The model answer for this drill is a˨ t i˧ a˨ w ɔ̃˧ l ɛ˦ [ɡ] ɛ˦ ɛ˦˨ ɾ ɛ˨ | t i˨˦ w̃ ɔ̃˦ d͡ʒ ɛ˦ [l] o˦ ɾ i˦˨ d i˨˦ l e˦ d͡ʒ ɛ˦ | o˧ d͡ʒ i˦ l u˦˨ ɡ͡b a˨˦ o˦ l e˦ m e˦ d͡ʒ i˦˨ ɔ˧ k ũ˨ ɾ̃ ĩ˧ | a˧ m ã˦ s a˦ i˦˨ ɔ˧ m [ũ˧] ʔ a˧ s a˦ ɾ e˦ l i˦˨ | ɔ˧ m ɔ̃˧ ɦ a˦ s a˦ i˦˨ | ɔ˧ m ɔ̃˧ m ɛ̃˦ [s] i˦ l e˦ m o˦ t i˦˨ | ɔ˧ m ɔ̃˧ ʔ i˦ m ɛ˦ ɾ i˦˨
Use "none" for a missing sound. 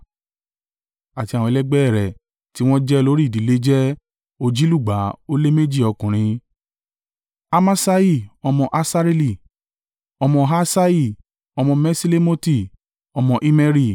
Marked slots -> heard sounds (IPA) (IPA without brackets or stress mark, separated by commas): ɡ͡b, l, ɔ̃˧, s